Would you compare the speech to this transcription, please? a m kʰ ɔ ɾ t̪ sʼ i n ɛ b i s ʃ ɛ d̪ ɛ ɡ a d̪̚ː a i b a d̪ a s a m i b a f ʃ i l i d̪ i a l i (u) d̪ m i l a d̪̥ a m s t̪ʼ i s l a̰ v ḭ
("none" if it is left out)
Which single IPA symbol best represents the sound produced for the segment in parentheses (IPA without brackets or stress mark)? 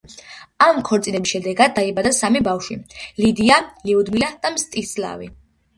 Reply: u